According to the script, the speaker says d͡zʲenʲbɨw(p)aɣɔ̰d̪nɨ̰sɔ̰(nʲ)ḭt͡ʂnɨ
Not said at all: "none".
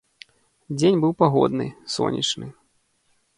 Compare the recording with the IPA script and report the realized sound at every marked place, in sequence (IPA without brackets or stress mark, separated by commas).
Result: p, nʲ